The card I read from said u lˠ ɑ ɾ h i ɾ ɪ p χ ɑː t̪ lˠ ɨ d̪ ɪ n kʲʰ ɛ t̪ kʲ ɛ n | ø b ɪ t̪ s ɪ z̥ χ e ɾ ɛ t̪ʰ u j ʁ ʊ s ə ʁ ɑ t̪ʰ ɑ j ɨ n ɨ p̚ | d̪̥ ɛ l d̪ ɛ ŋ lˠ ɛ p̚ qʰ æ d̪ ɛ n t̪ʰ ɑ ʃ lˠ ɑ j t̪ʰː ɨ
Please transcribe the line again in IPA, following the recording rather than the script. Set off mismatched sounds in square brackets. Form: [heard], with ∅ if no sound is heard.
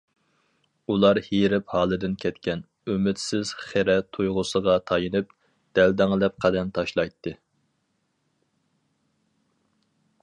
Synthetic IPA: u lˠ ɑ ɾ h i ɾ ɪ p [h] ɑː [∅] lˠ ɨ d̪ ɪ n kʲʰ ɛ t̪ kʲ ɛ n | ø [m] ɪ t̪ s ɪ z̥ χ e ɾ ɛ t̪ʰ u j ʁ ʊ s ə ʁ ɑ t̪ʰ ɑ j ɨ n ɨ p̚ | d̪̥ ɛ l d̪ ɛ ŋ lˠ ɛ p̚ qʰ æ d̪ ɛ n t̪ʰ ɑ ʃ lˠ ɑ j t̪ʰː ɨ

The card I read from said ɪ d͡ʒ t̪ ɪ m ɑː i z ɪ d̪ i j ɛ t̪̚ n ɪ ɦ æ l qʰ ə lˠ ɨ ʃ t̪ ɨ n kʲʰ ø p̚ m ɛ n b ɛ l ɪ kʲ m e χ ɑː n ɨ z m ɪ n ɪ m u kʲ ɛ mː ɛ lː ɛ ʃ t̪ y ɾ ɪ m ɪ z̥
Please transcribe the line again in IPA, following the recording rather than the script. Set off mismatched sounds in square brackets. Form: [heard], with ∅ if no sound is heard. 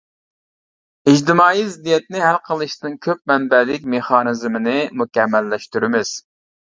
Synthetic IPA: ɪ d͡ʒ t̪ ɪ m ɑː i z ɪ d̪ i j ɛ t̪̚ n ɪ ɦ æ l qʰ ə lˠ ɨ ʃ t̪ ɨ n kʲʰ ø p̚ m ɛ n b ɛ l ɪ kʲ m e χ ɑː n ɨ z m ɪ n ɪ m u kʲ ɛ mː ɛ lː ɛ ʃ t̪ y ɾ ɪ m ɪ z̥

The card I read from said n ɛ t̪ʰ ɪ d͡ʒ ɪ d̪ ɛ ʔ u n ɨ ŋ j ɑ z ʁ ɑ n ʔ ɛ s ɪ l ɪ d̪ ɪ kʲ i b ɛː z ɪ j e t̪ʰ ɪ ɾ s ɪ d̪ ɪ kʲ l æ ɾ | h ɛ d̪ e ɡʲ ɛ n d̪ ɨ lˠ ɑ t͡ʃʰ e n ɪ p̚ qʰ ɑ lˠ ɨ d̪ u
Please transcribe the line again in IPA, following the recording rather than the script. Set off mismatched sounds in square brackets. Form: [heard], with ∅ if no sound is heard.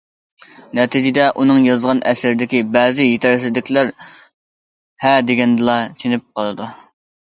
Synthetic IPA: n ɛ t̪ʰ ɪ d͡ʒ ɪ d̪ ɛ ʔ u n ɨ ŋ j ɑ z ʁ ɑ n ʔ ɛ s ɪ [ɾ] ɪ d̪ ɪ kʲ i b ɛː z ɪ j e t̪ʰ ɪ ɾ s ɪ d̪ ɪ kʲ l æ ɾ | h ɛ d̪ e ɡʲ ɛ n d̪ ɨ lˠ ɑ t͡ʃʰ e n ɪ p̚ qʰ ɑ lˠ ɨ d̪ u

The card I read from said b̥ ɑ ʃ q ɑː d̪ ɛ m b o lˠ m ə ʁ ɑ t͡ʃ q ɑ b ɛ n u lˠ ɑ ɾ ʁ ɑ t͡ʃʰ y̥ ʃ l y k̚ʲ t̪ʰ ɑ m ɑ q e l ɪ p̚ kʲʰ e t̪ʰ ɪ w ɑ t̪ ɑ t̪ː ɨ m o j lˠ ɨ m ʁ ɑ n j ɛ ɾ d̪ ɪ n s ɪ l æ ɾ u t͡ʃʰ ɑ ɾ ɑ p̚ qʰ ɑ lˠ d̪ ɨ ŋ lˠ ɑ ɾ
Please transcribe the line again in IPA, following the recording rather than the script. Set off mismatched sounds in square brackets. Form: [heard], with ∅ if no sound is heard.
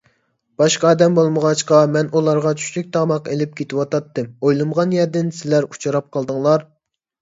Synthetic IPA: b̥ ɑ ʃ q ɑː d̪ ɛ m b o lˠ m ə ʁ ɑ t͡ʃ q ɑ [m] ɛ n u lˠ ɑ ɾ ʁ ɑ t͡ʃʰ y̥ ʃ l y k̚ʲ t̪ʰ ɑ m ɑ q e l ɪ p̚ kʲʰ e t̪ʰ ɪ w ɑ t̪ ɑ t̪ː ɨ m o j lˠ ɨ m ʁ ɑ n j ɛ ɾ d̪ ɪ n s ɪ l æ ɾ u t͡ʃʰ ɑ ɾ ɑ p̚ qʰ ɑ lˠ d̪ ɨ ŋ lˠ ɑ ɾ

